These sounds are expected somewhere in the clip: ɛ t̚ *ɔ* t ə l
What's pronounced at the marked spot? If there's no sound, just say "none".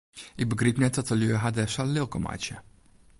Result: ɔ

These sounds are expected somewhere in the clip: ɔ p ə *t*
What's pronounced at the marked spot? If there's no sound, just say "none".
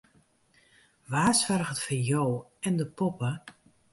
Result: none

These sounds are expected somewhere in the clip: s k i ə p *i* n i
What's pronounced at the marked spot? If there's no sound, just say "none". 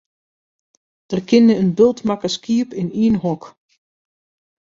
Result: ɪ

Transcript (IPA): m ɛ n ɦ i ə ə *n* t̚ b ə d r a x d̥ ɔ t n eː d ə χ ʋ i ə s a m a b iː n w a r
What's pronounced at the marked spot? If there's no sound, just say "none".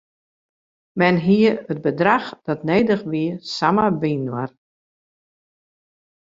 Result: none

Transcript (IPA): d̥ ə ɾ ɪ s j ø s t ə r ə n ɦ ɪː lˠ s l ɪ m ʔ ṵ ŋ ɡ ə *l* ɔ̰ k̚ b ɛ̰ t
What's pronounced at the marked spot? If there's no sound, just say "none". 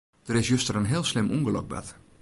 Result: l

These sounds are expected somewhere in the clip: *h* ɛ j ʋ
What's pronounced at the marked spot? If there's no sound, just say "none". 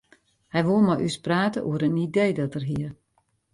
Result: h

